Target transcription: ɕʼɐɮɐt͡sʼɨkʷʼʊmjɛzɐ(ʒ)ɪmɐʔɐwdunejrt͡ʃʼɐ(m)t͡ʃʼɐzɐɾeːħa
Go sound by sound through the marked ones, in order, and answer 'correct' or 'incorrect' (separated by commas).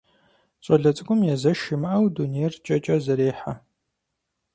incorrect, incorrect